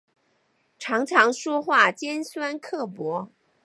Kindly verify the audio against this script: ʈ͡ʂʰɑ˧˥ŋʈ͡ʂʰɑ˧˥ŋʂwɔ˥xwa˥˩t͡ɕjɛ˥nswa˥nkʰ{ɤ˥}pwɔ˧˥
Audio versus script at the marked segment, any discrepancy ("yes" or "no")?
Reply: yes